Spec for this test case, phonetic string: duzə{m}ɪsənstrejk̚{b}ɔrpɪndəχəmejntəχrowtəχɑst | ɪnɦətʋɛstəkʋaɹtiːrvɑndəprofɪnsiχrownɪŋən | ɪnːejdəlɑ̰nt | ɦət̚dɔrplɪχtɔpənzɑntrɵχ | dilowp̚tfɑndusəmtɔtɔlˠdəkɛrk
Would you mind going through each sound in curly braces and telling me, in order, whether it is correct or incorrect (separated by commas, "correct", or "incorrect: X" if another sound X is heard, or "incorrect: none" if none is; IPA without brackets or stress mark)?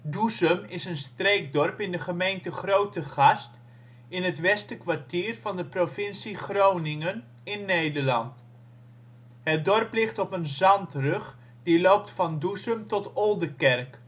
correct, incorrect: d